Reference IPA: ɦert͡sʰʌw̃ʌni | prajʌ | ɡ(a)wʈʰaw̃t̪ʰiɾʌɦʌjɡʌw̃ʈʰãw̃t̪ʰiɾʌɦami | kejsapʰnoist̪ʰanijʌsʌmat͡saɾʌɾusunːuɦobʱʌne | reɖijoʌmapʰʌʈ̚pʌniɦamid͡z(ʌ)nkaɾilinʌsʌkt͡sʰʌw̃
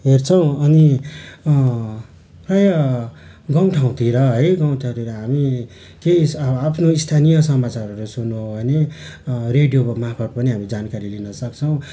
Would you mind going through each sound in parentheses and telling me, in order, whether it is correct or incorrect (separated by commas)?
incorrect, incorrect